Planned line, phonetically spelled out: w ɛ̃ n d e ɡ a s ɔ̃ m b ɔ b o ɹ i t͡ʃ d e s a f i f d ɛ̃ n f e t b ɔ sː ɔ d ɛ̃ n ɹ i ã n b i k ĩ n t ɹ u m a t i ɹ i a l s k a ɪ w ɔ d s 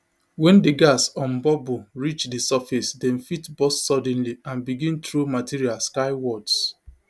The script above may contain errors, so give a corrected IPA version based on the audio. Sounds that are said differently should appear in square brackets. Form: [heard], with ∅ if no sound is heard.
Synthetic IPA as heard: w ɛ̃ n d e ɡ a s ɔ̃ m b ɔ b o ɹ i t͡ʃ d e s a f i [s] d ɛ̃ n f [i] t b ɔ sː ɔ d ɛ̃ n [l] i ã n b i [ɡ] ĩ n t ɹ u m a t i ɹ i a l s k a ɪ w ɔ d s